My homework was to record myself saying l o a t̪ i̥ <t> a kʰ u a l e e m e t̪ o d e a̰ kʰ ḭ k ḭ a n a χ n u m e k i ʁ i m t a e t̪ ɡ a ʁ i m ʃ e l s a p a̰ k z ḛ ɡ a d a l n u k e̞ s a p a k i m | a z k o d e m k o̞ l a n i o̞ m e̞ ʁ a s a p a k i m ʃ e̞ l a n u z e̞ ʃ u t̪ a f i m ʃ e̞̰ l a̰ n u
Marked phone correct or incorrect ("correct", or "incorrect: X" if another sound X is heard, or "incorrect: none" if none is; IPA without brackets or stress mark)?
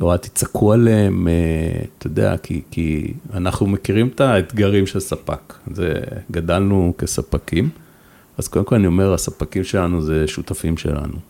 incorrect: t͡s